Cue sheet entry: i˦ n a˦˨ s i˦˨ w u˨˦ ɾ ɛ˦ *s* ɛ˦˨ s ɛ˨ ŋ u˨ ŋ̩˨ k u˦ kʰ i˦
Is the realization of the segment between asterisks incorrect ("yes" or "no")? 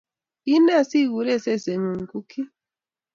no